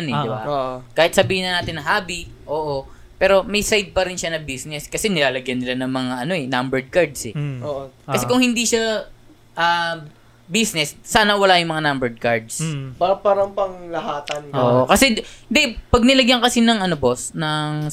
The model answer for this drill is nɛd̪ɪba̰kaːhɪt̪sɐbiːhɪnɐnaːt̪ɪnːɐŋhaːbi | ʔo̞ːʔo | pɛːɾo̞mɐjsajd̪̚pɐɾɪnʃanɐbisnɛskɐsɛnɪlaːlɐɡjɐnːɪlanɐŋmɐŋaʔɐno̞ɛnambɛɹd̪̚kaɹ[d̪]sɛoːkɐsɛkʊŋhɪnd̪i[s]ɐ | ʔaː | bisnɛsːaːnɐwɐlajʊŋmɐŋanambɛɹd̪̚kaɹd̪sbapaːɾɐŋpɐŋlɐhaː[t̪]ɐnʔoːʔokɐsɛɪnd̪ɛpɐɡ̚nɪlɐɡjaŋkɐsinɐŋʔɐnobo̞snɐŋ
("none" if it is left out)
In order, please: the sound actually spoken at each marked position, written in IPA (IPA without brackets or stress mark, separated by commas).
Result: d̪, ʃ, t̪